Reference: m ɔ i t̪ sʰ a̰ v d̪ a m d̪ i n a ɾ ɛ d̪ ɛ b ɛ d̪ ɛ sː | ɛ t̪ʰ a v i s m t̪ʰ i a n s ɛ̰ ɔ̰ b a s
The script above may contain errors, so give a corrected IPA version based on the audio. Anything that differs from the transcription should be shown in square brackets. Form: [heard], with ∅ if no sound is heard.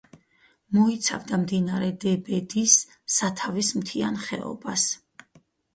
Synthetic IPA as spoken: m ɔ i t̪ sʰ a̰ v d̪ a m d̪ i n a ɾ ɛ d̪ ɛ b ɛ d̪ [i] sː | [a] t̪ʰ a v i s m t̪ʰ i a n [χ] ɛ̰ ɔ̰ b a s